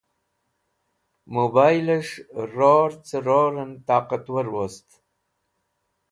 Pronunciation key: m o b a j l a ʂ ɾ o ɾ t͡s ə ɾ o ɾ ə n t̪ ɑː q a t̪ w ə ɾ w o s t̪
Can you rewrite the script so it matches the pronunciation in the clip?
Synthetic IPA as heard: m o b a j l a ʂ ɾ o ɾ t͡s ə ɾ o ɾ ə n t̪ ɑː q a t̪ w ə ɾ w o s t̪